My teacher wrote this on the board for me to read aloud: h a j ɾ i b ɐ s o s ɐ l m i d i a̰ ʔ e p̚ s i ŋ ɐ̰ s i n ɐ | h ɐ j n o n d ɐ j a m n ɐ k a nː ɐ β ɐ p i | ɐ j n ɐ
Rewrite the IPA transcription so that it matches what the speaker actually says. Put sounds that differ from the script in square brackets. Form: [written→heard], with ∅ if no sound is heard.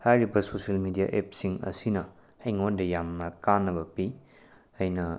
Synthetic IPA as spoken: h a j ɾ i b ɐ s o s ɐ l m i d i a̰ ʔ e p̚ s i ŋ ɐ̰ s i n ɐ | h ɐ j [n→ŋ] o n d ɐ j a m n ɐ k a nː ɐ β ɐ p i | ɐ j n ɐ

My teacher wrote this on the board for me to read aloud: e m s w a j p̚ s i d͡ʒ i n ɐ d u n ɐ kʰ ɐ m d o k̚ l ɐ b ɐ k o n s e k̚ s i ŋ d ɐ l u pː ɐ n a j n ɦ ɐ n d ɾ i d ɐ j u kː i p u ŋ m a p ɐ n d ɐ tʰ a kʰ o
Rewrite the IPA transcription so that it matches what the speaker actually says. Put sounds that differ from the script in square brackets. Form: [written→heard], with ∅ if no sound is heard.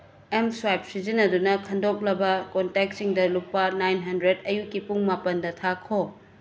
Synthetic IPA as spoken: e m s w a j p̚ s i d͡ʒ i n ɐ d u n ɐ kʰ ɐ [m→n] d o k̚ l ɐ b ɐ k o n [s→t] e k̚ s i ŋ d ɐ l u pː ɐ n a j n ɦ ɐ n d ɾ [i→e] d ɐ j u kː i p u ŋ m a p ɐ n d ɐ tʰ a kʰ o

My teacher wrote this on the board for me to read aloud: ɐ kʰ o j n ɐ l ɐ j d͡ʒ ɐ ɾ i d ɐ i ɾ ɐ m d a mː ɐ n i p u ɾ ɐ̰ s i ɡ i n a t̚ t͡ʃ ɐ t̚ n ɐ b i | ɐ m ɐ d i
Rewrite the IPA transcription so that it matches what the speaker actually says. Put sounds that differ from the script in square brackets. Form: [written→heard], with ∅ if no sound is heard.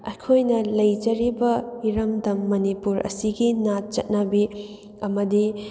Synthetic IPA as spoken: ɐ kʰ o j n ɐ l ɐ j d͡ʒ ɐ ɾ i [d→b] ɐ i ɾ ɐ m d [a→ɐ] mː ɐ n i p u ɾ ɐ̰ s i ɡ i n a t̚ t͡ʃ ɐ t̚ n ɐ b i | ɐ m ɐ d i

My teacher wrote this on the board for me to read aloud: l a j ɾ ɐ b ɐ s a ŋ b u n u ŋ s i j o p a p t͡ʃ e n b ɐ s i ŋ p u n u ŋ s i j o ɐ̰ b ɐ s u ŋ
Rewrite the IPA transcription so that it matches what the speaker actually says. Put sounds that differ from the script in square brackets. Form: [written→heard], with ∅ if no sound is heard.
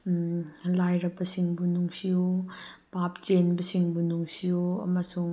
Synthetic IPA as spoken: l a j ɾ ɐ b ɐ s [a→i] ŋ b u n u ŋ s i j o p a p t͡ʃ e n b ɐ s i ŋ [p→b] u n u ŋ s i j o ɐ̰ [b→m] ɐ s u ŋ

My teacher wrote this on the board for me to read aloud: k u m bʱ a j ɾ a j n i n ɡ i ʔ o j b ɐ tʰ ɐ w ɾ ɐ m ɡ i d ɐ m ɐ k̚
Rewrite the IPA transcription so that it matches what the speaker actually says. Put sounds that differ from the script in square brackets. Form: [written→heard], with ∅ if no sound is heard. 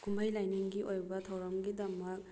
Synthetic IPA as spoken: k u m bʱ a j [ɾ→l] a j n i [n→ŋ] ɡ i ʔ o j b ɐ tʰ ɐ w ɾ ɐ m ɡ i d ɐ m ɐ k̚

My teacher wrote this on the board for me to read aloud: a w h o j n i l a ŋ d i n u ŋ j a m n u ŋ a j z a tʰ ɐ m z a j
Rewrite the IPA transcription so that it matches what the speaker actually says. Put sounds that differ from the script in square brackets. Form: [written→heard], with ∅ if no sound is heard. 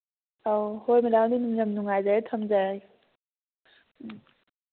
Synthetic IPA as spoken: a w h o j [n→m] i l a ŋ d i n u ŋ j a m n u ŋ a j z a tʰ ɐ m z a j

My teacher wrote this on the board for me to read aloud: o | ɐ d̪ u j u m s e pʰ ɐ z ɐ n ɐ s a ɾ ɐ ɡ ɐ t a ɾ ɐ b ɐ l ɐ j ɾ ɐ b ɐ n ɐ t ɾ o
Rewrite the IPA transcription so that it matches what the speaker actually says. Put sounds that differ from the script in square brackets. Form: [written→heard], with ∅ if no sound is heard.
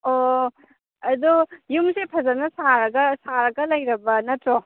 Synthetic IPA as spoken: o | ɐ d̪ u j u m s e pʰ ɐ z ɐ n ɐ s a ɾ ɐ ɡ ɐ [t→s] a ɾ ɐ [b→ɡ] ɐ l ɐ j ɾ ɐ b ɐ n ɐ t ɾ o

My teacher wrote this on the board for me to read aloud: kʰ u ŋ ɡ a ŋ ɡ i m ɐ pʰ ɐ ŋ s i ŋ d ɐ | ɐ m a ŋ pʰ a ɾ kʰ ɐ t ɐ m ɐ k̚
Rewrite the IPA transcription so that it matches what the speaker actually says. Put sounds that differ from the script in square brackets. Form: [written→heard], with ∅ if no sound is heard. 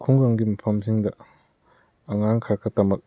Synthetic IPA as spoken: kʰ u ŋ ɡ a ŋ ɡ i m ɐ pʰ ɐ [ŋ→m] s i ŋ d ɐ | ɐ [m→ŋ] a ŋ [pʰ→kʰ] a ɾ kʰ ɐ t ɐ m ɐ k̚

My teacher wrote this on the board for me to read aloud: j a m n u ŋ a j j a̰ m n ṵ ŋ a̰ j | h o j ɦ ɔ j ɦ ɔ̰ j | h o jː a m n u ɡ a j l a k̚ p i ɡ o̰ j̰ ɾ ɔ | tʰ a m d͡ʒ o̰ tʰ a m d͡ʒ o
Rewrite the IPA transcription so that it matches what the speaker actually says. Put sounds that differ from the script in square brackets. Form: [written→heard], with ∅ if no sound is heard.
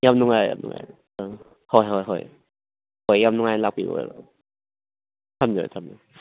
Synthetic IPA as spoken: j a m n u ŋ a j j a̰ m n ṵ ŋ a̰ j | h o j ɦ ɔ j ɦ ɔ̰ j | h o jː a m n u [ɡ→ŋ] a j l a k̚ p i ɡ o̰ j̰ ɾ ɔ | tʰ a m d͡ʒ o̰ tʰ a m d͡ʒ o

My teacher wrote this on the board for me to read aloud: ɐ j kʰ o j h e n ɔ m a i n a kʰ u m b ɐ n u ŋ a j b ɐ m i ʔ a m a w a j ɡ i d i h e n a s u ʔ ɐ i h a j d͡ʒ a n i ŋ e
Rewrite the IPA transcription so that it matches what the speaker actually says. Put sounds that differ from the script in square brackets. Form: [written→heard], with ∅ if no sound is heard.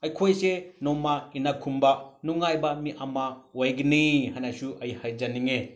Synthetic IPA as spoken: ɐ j kʰ o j [h→s] e n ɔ m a i n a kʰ u m b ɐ n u ŋ a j b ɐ m i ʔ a m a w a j ɡ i [d→n] i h [e→a] n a s u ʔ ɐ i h a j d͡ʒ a n i ŋ e

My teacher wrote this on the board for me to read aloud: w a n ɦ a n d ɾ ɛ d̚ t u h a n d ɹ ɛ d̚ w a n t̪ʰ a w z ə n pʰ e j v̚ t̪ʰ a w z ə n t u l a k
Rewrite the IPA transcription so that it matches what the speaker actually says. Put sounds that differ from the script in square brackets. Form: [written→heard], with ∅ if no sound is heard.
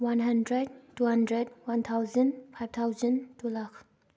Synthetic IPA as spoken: w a n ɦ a n d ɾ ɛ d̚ t u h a n d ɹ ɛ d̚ w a n t̪ʰ a w z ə n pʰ [e→a] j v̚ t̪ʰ a w z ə n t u l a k

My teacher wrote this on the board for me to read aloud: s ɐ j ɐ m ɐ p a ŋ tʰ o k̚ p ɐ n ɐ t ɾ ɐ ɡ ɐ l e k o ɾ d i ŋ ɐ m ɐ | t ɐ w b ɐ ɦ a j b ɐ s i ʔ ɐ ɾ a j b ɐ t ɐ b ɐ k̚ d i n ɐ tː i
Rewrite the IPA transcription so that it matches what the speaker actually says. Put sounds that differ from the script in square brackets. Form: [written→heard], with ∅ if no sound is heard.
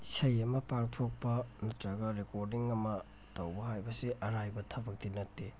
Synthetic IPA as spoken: s ɐ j ɐ m ɐ p a ŋ tʰ o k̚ p ɐ n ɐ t ɾ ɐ ɡ ɐ [l→ɾ] e k o ɾ d i ŋ ɐ m ɐ | t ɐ w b ɐ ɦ a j b ɐ s i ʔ ɐ ɾ a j b ɐ [t→tʰ] ɐ b ɐ k̚ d i n ɐ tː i

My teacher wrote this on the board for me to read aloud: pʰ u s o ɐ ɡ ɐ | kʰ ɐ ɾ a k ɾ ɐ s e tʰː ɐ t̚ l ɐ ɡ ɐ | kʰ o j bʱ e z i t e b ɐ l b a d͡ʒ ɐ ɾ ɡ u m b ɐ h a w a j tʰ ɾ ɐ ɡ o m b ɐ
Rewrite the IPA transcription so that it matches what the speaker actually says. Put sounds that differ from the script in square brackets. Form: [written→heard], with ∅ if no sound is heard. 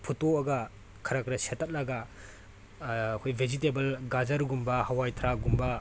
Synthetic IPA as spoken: pʰ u [s→t] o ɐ ɡ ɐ | kʰ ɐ ɾ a k ɾ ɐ s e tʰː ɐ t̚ l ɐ ɡ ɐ | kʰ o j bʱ e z i t e b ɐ l [b→ɡ] a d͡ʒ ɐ ɾ ɡ u m b ɐ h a w a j tʰ ɾ [ɐ→a] ɡ [o→u] m b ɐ

